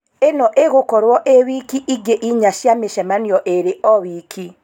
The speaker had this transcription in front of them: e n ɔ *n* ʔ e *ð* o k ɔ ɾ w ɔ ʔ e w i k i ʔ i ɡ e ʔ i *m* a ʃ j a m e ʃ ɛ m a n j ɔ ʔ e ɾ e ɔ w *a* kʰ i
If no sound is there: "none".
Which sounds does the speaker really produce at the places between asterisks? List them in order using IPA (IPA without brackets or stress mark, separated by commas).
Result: none, ɣ, ɲ, i